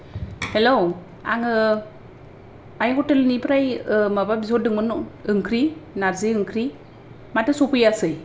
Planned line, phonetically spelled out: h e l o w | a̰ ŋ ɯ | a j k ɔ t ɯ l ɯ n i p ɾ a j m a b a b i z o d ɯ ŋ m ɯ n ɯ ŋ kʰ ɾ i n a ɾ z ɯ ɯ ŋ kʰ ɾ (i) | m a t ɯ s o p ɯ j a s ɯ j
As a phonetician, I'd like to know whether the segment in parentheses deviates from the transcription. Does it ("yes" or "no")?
no